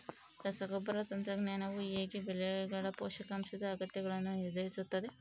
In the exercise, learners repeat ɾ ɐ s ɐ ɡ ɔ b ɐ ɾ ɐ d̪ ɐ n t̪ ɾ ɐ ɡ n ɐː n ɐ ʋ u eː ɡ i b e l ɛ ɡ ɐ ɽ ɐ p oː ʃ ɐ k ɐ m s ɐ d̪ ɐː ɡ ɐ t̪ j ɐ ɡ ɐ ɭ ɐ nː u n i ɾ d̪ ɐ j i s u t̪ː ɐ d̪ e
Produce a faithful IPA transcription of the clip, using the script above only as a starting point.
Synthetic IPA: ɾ ɐ s ɐ ɡ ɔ b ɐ ɾ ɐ t̪ ɐ n t̪ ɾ ɐ ɡ n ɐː n ɐ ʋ u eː ɡ i b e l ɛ ɡ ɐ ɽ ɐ p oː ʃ ɐ k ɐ m s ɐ d̪ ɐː ɡ ɐ t̪ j ɐ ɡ ɐ ɭ ɐ nː u n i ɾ d̪ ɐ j i s u t̪ː ɐ d̪ e